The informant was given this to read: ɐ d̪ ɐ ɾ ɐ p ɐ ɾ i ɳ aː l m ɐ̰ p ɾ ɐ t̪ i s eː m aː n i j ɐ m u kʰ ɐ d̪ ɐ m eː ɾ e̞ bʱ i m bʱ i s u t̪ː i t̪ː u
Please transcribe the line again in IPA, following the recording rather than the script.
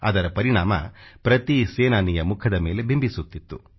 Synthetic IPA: ɐ d̪ ɐ ɾ ɐ p ɐ ɾ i ɳ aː m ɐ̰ p ɾ ɐ t̪ i s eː n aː n i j ɐ m u kʰ ɐ d̪ ɐ m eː l e̞ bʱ i m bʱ i s u t̪ː i t̪ː u